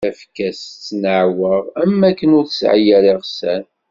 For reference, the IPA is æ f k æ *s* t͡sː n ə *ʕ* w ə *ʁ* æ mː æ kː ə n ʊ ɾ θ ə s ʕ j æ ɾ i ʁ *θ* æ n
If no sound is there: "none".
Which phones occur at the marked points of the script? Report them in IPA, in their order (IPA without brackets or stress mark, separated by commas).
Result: s, ʕ, ʁ, s